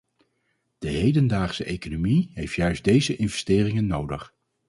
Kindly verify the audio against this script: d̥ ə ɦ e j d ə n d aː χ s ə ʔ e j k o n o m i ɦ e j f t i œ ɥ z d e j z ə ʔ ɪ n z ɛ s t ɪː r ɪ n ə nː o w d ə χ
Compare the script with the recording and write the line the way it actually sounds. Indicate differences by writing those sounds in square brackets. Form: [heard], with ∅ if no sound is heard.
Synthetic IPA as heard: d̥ ə ɦ e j d ə n d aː χ s ə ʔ e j k o n o m i ɦ e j f t [j] œ ɥ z d e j z ə ʔ ɪ n [v] ɛ s t ɪː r ɪ [ŋ] ə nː o w d ə χ

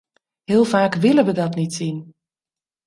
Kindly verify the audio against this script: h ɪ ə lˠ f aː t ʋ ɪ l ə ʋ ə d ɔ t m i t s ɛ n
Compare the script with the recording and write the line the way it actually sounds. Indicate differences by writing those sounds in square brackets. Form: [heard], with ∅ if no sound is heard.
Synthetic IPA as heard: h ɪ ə lˠ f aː [k] ʋ ɪ l ə ʋ ə d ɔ t [n] i t s [i] n

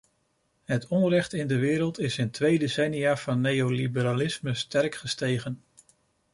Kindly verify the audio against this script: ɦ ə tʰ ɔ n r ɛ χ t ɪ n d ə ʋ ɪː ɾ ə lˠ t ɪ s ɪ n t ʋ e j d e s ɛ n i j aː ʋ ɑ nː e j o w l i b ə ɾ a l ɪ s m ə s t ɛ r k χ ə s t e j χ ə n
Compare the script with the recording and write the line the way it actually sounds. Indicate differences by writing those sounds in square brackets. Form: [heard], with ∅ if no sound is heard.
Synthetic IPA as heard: ɦ ə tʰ ɔ n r ɛ χ t ɪ n d ə ʋ ɪː ɾ ə lˠ t ɪ s ɪ n t ʋ e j d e s ɛ n i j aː [v] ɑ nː e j o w l i b ə ɾ a l ɪ s m ə s t ɛ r k χ ə s t e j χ ə n

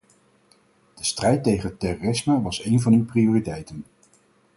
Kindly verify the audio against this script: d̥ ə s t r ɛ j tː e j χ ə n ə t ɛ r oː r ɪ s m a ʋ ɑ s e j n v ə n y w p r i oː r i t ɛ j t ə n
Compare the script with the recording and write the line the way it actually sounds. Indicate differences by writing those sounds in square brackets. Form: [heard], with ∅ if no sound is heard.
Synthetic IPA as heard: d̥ ə s t r ɛ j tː e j χ ə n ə t ɛ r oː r ɪ s m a ʋ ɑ s e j n v [ɑ] n y w p r i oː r i t ɛ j t ə n

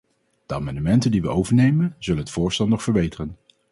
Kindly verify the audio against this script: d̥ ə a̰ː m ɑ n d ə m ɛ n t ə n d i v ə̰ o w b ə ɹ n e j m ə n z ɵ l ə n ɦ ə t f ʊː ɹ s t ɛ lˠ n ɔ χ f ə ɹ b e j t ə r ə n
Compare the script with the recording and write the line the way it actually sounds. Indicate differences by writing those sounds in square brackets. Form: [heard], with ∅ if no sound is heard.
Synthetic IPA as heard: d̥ ə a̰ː m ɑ n d ə m ɛ n t ə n d i [ʋ] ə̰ o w [v] ə ɹ n e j m ə n z ɵ l ə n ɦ ə t f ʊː ɹ s t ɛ lˠ n ɔ χ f ə ɹ b e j t ə r ə n

